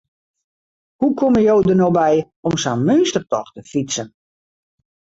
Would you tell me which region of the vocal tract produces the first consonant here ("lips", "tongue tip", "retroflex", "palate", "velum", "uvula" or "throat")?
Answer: throat